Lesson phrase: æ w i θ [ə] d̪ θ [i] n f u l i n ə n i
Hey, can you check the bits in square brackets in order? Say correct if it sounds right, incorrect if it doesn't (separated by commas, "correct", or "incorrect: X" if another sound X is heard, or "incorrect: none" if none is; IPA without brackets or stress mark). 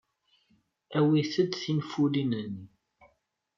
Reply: correct, correct